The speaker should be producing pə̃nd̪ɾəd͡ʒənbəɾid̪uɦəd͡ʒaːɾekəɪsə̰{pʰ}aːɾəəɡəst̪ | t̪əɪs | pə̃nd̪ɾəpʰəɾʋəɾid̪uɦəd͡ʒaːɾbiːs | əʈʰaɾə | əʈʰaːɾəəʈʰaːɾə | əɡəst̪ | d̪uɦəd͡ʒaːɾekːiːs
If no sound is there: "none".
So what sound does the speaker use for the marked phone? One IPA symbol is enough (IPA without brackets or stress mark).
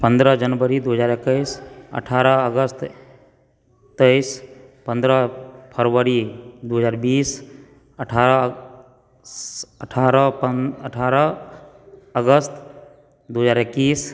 ʈʰ